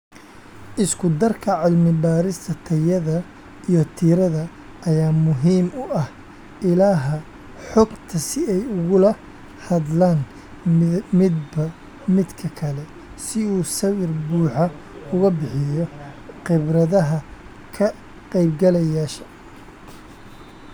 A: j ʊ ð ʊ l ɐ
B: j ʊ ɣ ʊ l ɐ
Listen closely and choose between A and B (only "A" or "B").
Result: B